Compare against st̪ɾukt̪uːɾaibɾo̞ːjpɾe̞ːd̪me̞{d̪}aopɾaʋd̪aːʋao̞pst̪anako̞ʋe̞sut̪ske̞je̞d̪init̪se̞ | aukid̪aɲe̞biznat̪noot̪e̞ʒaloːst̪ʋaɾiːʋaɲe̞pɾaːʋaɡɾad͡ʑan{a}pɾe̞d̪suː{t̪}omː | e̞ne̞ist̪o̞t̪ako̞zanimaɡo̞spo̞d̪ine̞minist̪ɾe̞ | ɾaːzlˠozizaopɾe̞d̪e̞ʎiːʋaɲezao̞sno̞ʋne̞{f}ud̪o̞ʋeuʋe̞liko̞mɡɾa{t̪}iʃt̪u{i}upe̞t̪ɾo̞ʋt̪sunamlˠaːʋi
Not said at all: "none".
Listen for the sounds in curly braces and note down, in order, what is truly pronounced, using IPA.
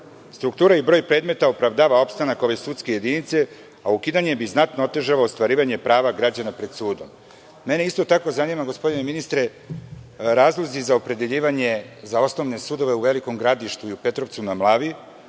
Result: t̪, a, d̪, s, d̪, i

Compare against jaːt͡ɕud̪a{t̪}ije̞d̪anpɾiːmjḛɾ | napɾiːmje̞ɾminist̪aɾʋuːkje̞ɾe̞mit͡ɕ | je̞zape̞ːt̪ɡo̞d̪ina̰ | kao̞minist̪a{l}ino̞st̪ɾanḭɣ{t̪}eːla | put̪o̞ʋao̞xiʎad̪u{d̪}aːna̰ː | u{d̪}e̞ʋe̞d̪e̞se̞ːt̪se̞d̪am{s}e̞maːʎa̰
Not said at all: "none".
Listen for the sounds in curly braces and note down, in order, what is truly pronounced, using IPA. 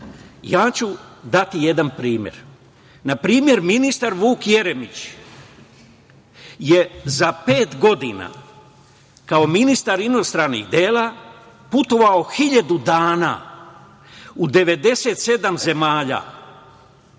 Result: t̪, ɾ, d̪, d̪, d̪, z

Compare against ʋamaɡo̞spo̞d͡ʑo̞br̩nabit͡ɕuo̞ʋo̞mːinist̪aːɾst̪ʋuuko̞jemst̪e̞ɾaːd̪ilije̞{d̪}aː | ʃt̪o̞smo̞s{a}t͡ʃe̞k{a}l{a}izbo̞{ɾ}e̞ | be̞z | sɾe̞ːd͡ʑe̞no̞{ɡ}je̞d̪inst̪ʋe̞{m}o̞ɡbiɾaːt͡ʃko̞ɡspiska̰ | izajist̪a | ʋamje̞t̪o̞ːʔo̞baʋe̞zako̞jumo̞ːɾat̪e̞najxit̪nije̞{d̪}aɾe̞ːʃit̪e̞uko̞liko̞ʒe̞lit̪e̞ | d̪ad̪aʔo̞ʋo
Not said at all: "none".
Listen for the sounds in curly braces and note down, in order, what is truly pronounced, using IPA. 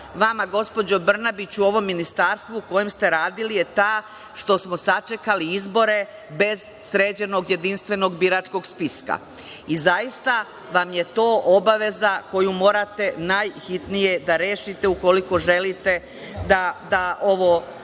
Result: t̪, a, a, i, ɾ, ɡ, n, d̪

